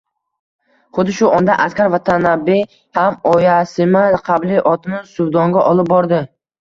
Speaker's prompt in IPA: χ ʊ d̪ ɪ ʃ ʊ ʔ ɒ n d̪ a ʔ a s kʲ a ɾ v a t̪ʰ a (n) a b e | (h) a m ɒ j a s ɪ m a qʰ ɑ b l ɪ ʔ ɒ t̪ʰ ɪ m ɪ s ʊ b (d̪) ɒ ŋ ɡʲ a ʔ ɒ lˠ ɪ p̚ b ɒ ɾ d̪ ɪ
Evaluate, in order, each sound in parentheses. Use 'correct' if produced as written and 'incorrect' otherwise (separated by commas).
correct, correct, correct